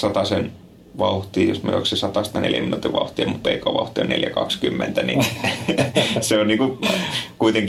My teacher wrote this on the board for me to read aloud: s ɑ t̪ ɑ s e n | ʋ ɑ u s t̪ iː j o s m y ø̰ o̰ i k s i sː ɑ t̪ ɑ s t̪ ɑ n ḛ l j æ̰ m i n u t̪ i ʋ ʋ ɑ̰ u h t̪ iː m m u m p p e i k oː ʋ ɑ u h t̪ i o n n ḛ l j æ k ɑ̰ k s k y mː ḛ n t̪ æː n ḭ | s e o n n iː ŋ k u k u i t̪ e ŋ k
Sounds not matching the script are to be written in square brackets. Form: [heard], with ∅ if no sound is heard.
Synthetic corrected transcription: s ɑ t̪ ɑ s e n | ʋ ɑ u [h] t̪ iː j o s m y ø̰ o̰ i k s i [s] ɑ t̪ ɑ s t̪ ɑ n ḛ l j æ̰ m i n u t̪ i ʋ ʋ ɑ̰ u h t̪ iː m m u [∅] p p e i k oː ʋ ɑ u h t̪ i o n n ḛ l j æ k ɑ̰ k s k y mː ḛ n t̪ [æ] n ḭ | s e o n n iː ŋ k u k u i t̪ e ŋ k